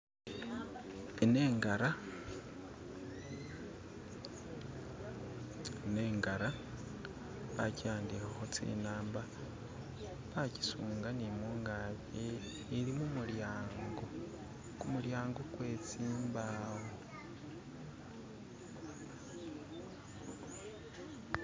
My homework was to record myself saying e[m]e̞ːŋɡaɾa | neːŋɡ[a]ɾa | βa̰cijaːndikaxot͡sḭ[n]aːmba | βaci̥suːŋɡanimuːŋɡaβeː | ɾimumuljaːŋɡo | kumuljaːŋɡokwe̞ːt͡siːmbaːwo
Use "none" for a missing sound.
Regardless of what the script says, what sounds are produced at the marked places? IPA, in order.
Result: n, a, n

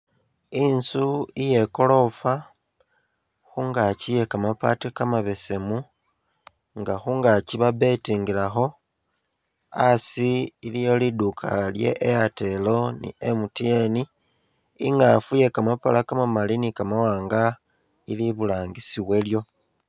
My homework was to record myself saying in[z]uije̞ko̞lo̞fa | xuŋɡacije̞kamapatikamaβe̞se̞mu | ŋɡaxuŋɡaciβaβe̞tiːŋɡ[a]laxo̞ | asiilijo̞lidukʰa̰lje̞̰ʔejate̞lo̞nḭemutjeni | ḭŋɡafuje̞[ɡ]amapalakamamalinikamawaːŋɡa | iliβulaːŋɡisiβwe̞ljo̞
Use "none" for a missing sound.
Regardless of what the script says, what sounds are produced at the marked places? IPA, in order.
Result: s, i, k

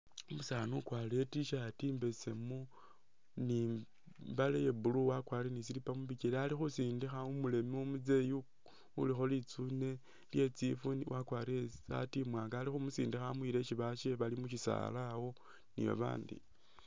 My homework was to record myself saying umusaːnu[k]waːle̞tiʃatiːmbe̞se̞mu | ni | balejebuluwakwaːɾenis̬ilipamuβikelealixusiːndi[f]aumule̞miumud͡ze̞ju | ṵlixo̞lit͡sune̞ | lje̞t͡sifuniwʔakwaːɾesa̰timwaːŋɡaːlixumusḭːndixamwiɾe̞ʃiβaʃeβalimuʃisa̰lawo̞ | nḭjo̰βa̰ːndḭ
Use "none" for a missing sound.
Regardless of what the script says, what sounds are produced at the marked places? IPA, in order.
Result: k, x

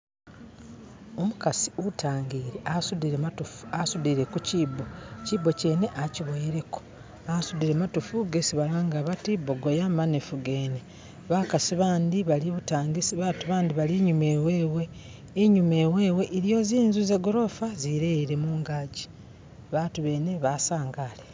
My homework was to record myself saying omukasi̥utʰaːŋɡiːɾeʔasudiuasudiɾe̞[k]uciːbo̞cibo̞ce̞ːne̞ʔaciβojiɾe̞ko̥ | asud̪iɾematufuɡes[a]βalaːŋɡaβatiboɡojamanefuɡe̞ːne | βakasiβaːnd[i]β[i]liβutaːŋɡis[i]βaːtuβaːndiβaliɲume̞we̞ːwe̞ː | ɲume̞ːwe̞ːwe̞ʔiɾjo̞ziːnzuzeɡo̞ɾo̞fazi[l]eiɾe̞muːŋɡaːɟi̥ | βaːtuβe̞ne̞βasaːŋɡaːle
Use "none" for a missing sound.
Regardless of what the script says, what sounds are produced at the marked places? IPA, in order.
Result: k, i, i, a, i, ɾ

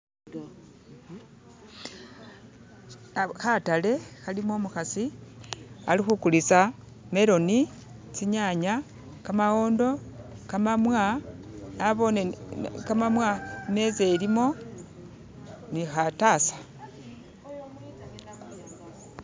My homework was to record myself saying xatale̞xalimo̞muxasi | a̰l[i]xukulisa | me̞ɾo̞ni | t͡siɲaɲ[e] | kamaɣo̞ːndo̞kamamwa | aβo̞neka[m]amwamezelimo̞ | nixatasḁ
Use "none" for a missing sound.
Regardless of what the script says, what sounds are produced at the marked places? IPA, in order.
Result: i, a, m

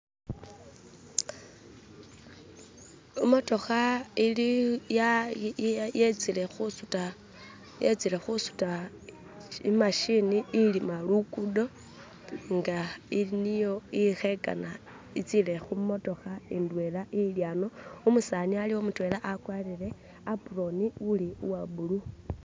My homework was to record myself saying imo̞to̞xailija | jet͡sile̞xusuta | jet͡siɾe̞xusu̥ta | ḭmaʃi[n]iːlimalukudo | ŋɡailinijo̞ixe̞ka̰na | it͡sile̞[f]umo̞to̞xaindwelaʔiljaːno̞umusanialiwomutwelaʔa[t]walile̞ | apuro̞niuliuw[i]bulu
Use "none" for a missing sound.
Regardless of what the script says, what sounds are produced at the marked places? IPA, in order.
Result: n, x, k, a

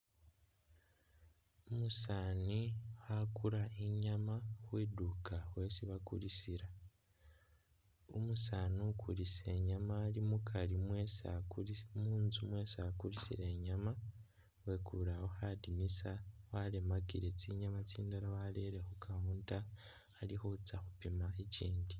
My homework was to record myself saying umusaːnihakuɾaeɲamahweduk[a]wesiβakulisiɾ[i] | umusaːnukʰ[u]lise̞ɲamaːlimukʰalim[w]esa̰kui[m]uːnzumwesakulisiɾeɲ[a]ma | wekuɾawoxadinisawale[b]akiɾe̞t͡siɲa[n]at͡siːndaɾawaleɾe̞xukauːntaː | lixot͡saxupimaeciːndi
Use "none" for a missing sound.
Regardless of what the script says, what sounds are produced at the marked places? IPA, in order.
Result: a, a, u, w, m, a, m, m

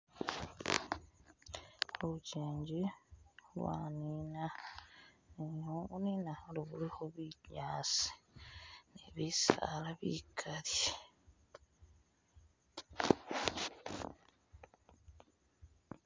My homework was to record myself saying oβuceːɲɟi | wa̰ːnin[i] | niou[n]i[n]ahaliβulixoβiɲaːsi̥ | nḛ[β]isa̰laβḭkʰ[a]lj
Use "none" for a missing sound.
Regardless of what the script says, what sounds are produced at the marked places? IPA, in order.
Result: a, n, n, β, a

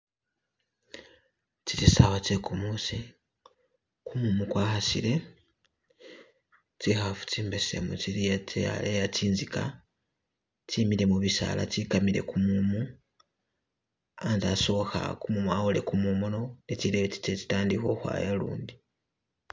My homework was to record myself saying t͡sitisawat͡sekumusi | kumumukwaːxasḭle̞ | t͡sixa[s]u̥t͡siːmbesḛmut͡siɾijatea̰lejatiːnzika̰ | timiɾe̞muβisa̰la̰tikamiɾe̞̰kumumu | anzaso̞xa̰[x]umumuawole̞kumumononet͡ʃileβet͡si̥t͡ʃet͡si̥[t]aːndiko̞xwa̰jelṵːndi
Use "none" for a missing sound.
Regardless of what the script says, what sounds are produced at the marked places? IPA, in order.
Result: f, k, t

